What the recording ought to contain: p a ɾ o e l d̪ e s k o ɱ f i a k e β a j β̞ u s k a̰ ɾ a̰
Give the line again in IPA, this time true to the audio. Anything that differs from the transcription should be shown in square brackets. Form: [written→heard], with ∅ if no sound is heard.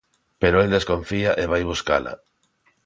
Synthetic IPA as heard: p [a→e] ɾ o e l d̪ e s k o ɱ f i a [k→ʔ] e β a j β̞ u s k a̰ [ɾ→l] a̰